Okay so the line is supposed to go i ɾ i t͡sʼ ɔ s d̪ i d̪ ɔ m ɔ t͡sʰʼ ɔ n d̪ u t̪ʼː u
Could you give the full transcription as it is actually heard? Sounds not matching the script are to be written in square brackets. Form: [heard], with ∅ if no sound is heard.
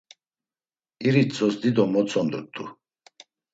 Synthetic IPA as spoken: i ɾ i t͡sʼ ɔ s d̪ i d̪ ɔ m ɔ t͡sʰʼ ɔ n d̪ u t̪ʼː u